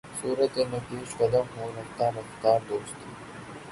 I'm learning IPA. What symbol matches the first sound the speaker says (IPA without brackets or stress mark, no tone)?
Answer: s